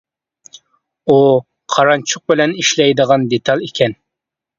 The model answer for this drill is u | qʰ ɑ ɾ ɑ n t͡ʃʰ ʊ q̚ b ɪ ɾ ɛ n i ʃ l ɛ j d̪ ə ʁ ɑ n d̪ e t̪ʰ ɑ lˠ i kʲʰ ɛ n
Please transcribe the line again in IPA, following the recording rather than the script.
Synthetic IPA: u | qʰ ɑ ɾ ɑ n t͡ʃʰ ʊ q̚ b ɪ l ɛ n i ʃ l ɛ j d̪ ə ʁ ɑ n d̪ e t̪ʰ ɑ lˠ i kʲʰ ɛ n